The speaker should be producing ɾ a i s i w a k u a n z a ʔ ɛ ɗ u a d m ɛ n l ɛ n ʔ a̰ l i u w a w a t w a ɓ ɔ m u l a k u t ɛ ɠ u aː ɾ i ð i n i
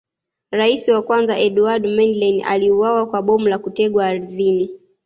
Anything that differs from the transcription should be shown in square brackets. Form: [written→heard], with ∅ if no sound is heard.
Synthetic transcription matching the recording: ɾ a i s i w a k [u→w] a n z a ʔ ɛ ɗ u a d m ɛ n l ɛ n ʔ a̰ l i u w a w a [t→k] w a ɓ ɔ m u l a k u t ɛ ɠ [u→w] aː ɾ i ð i n i